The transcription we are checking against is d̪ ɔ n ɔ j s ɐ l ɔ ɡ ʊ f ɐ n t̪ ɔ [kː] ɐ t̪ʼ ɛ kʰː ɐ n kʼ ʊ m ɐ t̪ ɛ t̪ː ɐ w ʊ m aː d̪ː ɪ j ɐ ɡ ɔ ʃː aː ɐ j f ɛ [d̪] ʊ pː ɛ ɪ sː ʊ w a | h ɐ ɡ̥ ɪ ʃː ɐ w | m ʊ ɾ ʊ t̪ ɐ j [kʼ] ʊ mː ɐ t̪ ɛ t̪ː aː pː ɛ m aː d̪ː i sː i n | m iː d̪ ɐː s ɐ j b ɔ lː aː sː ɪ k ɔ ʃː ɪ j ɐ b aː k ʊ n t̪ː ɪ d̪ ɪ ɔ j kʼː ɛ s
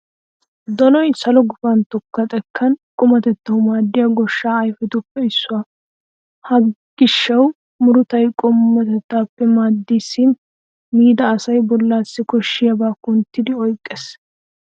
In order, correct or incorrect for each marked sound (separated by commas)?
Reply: correct, incorrect, correct